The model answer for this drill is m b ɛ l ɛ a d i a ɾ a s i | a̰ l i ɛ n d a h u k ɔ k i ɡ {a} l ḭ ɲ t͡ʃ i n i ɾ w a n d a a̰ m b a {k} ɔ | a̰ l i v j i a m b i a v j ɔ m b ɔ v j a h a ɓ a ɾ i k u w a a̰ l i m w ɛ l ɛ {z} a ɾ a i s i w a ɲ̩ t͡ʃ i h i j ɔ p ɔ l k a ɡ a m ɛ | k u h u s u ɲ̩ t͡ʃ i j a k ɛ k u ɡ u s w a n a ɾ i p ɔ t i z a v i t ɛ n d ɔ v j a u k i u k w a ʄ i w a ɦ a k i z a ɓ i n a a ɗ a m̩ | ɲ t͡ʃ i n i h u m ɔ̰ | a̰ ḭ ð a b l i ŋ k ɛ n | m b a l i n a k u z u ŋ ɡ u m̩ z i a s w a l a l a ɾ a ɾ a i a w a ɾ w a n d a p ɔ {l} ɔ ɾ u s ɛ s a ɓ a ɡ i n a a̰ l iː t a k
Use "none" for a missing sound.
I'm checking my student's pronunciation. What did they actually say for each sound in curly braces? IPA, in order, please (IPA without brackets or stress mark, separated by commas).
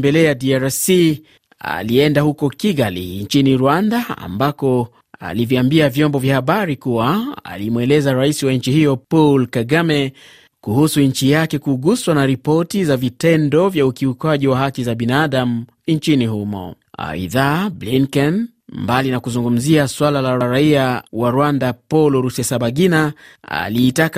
a, k, z, l